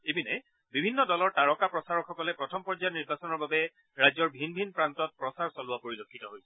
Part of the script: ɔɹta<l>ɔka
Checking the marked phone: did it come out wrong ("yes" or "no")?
yes